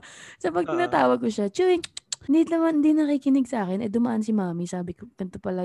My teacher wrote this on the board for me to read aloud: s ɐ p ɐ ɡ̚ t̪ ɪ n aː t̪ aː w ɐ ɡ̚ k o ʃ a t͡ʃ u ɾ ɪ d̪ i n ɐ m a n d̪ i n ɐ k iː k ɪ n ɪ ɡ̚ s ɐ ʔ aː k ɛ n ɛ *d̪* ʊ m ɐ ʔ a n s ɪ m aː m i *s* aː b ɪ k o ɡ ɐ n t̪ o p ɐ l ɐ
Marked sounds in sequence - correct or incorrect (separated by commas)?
correct, correct